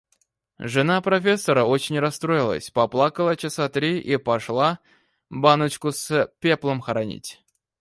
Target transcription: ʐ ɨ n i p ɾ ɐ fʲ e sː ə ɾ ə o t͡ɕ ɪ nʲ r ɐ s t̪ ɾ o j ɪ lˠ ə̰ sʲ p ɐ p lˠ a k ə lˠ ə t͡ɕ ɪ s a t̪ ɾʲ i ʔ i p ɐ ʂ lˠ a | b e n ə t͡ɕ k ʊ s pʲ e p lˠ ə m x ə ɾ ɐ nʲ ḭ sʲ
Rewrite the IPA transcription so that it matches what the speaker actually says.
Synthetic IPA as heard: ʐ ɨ n a p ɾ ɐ fʲ e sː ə ɾ ə o t͡ɕ ɪ nʲ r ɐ s t̪ ɾ o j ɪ lˠ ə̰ sʲ p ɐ p lˠ a k ə lˠ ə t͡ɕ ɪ s a t̪ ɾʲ i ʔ i p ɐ ʂ lˠ a | b a n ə t͡ɕ k ʊ s pʲ e p lˠ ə m x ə ɾ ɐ nʲ ḭ tʲ